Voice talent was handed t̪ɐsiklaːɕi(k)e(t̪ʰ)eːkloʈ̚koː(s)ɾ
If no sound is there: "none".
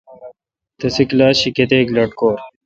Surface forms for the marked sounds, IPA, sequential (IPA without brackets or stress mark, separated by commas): k, t̪, none